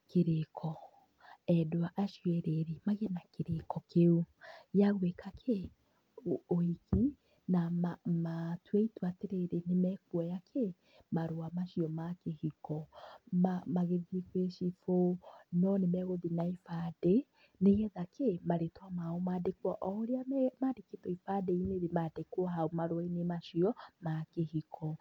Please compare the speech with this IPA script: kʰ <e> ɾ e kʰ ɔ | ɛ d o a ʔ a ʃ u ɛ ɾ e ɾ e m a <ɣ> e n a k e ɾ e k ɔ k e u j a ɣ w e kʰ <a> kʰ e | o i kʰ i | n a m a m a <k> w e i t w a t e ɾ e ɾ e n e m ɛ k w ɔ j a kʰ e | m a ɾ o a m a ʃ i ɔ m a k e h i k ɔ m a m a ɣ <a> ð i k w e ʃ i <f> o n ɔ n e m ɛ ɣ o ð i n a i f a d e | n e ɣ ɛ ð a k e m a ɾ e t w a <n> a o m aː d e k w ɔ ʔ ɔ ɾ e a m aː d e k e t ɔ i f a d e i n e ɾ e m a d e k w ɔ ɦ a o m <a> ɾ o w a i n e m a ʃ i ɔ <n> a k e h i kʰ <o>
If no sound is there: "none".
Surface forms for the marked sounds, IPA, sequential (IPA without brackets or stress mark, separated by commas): e, ɣ, a, t, e, f, m, a, m, ɔ